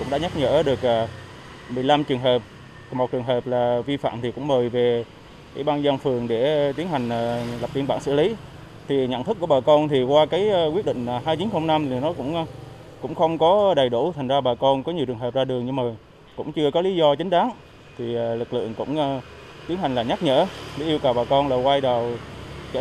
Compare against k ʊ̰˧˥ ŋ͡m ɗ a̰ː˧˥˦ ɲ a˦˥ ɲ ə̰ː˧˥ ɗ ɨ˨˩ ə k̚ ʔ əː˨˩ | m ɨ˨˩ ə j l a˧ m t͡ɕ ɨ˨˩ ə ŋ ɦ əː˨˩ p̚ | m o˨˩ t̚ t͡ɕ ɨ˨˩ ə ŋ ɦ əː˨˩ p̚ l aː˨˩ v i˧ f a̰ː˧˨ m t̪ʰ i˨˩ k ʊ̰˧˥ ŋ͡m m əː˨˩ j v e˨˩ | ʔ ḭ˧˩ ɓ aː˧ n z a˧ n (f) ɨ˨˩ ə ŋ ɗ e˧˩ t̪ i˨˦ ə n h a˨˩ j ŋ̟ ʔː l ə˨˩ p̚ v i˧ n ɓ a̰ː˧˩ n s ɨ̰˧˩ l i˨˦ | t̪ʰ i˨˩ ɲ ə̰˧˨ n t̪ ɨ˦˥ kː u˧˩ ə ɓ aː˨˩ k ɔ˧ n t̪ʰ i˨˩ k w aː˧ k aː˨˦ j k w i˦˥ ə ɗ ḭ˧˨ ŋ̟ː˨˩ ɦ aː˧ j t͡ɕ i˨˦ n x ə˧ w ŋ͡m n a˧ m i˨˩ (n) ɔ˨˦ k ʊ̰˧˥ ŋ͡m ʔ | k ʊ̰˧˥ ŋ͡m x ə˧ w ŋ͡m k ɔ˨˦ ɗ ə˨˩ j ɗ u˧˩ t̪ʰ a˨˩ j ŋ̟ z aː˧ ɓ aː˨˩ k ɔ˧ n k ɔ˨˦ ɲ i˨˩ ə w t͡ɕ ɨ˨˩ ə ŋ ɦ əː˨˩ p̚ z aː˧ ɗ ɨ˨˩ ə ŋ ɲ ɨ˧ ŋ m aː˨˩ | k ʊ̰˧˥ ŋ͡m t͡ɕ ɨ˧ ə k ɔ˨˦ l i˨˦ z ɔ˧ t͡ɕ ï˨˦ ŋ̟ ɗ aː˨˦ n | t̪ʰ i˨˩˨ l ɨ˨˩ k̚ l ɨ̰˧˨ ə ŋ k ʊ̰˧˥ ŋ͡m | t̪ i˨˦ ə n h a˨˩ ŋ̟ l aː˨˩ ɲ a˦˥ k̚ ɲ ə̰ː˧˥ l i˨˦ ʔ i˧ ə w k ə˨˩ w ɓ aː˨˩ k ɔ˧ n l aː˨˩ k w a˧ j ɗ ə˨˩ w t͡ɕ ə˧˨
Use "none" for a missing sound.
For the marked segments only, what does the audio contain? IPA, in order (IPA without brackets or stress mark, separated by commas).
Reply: f, n